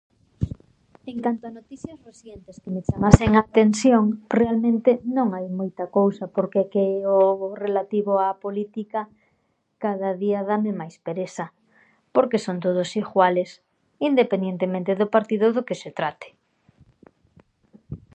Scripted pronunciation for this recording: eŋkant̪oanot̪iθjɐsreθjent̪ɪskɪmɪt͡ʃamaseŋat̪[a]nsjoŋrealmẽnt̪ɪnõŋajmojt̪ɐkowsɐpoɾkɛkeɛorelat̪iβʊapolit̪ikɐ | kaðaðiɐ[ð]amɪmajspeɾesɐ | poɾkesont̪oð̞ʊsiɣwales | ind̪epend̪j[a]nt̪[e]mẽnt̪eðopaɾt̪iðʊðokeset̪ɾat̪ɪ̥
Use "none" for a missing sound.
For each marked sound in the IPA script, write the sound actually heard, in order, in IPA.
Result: e, ð, e, e

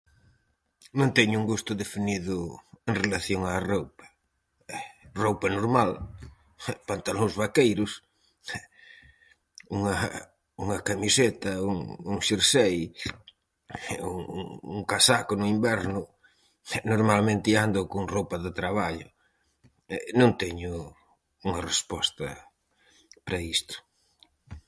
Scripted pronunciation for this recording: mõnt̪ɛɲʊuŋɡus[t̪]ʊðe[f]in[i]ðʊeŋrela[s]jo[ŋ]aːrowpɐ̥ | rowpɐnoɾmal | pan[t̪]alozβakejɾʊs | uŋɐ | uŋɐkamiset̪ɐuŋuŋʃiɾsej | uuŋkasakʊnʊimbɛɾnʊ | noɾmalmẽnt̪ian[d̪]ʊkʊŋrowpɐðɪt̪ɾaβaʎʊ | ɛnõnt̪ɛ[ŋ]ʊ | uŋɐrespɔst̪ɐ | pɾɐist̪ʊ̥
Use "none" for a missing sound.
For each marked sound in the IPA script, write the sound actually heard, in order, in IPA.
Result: t̪, f, i, θ, ŋ, t̪, d̪, ɲ

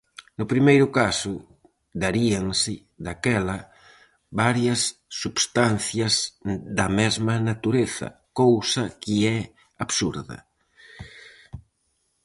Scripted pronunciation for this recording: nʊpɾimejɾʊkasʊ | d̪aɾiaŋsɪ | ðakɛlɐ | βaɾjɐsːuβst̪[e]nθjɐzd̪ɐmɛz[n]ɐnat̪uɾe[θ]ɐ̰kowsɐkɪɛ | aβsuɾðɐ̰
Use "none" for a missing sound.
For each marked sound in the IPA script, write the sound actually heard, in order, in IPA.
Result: a, m, θ

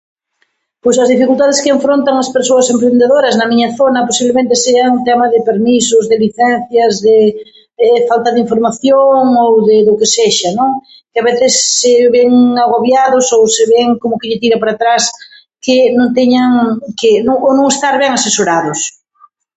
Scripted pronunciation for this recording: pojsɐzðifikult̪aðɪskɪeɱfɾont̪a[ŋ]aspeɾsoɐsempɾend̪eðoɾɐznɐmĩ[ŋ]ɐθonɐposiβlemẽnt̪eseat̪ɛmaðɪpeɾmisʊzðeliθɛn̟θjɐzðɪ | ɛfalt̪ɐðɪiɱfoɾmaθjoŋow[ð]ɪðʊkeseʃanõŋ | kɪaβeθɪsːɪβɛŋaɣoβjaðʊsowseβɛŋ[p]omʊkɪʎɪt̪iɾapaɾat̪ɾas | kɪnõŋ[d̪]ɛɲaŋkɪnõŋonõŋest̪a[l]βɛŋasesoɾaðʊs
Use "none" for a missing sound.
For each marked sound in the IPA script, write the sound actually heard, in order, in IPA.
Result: ŋ, ɲ, ð, k, t̪, ɾ

